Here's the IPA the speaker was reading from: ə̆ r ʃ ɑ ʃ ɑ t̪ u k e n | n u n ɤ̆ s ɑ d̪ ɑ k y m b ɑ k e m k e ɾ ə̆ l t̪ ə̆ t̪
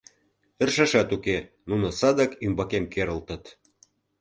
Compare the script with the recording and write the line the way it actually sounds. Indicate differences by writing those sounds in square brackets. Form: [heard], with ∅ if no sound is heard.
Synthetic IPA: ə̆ r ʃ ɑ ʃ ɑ t̪ u k e [∅] | n u n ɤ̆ s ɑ d̪ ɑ k y m b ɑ k e m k e ɾ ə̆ l t̪ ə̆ t̪